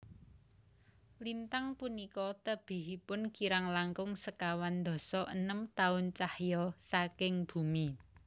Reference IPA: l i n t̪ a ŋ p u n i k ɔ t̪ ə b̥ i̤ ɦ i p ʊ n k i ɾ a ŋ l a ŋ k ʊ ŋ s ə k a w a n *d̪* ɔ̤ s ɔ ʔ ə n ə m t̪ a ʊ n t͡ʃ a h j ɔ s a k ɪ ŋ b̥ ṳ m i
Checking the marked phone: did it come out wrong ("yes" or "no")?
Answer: no